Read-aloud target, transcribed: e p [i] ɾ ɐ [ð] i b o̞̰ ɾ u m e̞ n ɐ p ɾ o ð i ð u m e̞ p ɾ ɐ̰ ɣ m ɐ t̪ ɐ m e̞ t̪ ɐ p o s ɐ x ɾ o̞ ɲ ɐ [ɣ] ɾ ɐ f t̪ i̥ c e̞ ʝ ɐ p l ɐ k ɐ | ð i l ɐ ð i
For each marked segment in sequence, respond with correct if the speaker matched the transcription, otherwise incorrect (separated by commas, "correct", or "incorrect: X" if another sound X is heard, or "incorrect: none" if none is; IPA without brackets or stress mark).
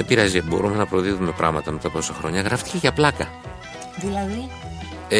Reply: correct, incorrect: z, correct